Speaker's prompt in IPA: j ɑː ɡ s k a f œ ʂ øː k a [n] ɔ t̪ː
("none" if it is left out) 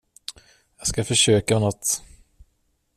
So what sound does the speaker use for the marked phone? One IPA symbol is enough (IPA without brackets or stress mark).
n